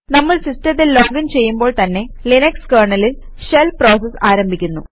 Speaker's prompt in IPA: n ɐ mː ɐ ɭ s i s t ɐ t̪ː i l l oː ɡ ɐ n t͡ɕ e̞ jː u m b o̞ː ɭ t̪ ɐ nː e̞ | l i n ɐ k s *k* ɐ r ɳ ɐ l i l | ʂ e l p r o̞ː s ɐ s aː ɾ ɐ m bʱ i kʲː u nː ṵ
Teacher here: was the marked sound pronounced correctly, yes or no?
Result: yes